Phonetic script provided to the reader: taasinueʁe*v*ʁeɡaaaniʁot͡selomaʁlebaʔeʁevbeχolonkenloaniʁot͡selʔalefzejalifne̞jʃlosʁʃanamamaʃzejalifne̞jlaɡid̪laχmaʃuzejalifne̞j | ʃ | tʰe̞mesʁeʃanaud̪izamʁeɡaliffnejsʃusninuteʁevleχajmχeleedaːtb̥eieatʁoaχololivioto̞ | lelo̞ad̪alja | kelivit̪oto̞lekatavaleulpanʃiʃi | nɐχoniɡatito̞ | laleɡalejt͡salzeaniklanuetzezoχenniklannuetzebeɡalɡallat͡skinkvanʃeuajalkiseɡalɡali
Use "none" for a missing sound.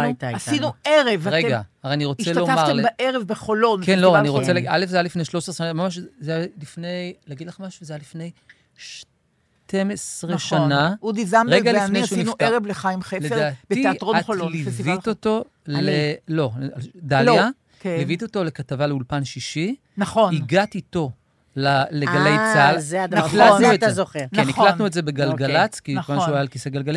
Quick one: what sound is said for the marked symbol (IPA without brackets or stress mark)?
v